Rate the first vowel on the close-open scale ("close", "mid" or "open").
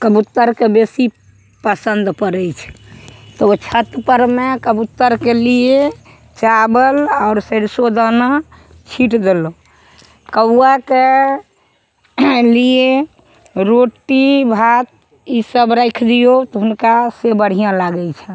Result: mid